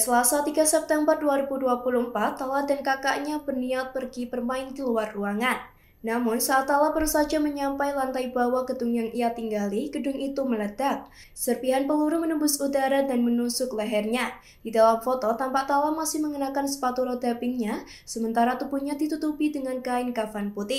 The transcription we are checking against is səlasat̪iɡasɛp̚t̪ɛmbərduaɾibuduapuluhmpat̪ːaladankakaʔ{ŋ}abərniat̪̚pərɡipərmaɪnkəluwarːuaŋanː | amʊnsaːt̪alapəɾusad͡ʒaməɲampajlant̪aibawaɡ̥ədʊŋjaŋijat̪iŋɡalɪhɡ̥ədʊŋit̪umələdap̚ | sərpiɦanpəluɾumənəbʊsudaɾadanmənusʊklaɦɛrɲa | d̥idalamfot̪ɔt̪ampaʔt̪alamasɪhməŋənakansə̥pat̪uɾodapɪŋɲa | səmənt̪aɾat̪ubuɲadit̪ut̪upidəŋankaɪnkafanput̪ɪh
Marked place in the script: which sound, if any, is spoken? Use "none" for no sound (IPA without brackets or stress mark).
ɲ